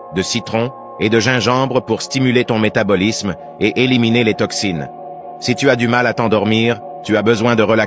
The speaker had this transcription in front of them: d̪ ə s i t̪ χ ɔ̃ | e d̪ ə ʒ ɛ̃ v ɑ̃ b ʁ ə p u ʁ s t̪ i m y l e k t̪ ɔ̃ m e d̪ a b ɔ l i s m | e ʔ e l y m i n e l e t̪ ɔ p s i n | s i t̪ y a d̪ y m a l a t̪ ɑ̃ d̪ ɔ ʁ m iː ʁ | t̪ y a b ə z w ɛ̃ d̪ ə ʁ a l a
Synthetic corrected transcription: d̪ ə s i t̪ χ ɔ̃ | e d̪ ə ʒ ɛ̃ ʒ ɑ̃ b ʁ ə p u ʁ s t̪ i m y l e t̪ ɔ̃ m e t̪ a b ɔ l i s m | e ʔ e l i m i n e l e t̪ ɔ k s i n | s i t̪ y a d̪ y m a l a t̪ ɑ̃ d̪ ɔ ʁ m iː ʁ | t̪ y a b ə z w ɛ̃ d̪ ə ʁ ə l a